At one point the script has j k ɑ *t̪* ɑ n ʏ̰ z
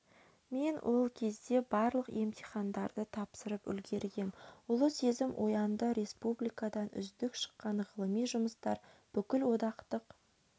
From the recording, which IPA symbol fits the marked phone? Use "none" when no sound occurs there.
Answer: d̪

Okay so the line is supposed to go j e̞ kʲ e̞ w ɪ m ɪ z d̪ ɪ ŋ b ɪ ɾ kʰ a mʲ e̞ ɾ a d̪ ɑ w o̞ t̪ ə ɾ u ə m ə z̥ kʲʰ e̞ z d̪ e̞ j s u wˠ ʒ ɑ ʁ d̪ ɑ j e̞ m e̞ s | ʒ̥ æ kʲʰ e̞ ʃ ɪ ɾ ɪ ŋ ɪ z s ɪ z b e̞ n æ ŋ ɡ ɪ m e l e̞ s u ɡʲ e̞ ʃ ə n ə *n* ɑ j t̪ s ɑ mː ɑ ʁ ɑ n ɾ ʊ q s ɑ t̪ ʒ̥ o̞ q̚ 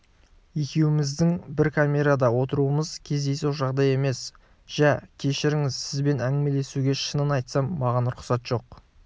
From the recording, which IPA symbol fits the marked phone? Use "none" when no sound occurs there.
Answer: n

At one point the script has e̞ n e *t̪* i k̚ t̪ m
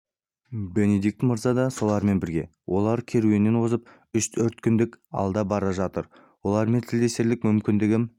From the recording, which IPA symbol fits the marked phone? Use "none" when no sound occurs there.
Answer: d̪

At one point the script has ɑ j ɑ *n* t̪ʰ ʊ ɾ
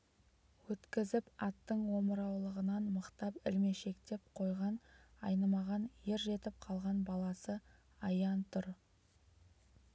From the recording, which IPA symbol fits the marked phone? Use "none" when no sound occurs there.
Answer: n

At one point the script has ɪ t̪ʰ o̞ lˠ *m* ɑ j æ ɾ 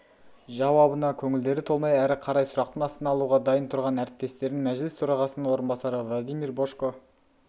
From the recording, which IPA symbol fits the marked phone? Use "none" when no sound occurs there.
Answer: m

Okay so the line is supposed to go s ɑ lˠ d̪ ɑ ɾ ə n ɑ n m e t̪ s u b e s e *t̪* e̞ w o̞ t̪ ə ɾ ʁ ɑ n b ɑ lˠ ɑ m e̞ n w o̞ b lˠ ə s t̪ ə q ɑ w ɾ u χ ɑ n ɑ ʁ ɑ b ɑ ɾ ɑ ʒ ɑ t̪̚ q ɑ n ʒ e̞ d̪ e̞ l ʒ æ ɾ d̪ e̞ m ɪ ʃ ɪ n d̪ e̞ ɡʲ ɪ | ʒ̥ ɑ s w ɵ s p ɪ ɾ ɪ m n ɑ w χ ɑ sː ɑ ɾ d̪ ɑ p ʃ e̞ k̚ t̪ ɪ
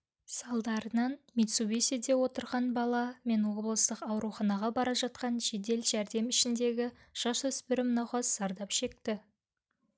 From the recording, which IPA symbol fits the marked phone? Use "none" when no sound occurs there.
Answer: d̪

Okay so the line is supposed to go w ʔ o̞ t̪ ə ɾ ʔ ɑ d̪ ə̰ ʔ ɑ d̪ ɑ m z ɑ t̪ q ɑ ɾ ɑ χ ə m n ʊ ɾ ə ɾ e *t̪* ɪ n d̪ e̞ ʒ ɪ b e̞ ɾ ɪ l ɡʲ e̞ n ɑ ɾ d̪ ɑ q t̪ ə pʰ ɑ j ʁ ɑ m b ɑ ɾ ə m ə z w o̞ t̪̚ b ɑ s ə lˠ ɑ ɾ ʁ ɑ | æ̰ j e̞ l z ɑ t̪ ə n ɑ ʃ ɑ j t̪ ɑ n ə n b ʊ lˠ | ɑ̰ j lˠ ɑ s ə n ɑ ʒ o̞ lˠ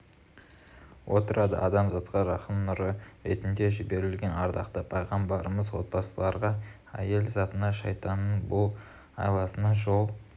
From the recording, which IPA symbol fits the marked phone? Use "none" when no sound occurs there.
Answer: t̪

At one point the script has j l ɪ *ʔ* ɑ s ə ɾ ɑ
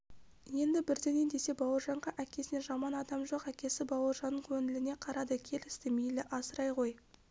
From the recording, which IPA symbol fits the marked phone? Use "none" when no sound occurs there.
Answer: ʔ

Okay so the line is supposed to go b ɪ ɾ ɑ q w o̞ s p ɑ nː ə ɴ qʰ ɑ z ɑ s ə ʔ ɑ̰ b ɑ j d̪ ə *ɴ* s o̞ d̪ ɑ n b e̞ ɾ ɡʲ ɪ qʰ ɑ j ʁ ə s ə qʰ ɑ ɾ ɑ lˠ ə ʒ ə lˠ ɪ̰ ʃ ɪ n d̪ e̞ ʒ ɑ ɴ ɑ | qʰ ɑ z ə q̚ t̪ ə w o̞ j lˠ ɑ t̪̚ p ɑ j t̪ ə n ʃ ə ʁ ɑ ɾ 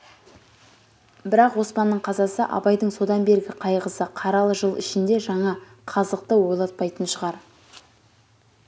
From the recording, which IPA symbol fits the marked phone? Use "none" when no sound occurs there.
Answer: ɴ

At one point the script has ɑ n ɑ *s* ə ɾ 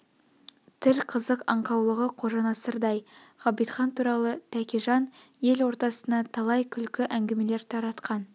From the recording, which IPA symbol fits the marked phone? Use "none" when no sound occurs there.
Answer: s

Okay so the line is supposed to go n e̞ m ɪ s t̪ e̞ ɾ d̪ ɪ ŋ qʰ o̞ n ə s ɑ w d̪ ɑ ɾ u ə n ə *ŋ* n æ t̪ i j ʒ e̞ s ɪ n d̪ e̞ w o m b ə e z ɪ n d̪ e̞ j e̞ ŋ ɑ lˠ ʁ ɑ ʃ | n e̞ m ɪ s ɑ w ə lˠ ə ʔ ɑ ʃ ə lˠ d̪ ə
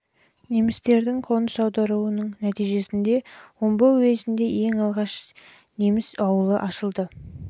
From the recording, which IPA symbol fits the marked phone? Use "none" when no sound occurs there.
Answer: ɴ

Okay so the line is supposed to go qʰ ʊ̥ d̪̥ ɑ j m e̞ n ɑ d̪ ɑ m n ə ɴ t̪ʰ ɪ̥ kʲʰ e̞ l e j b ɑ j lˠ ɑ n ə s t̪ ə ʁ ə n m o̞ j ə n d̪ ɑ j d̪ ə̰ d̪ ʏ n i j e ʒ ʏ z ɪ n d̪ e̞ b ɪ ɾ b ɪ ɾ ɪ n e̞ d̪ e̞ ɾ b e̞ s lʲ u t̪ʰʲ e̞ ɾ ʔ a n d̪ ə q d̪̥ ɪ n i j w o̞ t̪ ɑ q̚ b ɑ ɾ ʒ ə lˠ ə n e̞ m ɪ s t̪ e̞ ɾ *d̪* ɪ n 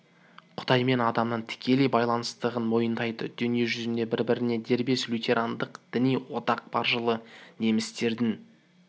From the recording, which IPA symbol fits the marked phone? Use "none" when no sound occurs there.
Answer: d̪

